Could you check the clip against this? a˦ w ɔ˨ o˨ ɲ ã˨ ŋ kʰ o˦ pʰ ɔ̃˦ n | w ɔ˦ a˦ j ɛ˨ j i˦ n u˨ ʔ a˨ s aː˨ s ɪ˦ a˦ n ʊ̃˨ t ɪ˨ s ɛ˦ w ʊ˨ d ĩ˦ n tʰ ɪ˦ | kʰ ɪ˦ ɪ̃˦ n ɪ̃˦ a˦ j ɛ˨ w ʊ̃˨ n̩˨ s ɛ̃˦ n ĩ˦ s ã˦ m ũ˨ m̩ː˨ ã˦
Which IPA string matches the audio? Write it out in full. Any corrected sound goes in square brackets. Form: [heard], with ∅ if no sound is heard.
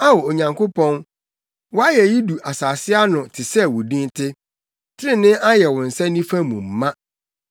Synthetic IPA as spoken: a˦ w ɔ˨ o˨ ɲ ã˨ ŋ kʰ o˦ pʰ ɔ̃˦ n | w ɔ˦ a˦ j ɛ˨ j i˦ [d] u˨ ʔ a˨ s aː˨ s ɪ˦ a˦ n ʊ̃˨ [tʰ] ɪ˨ s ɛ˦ w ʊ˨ d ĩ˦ n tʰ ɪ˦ | [tʰ] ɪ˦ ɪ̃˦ n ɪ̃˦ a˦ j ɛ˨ w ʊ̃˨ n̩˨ s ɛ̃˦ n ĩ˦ [f] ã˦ m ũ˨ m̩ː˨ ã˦